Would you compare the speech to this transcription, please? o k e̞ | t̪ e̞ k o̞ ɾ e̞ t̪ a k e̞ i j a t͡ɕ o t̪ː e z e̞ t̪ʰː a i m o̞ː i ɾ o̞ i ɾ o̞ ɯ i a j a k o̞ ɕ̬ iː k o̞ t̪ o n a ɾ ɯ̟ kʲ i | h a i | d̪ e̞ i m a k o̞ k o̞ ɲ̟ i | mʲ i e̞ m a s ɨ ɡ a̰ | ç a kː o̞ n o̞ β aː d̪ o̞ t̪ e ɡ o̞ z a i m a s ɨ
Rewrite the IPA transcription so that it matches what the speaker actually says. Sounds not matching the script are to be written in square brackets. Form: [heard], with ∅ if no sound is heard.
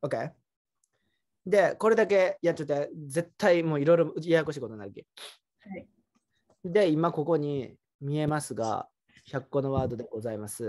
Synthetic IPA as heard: o k e̞ | [d̪] e̞ k o̞ ɾ e̞ [d̪] a k e̞ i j a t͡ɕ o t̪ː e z e̞ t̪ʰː a i m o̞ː i ɾ o̞ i ɾ o̞ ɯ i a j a k o̞ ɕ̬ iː k o̞ t̪ o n a ɾ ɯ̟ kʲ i | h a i | d̪ e̞ i m a k o̞ k o̞ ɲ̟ i | mʲ i e̞ m a s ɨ ɡ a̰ | ç a kː o̞ n o̞ β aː d̪ o̞ [d̪] e ɡ o̞ z a i m a s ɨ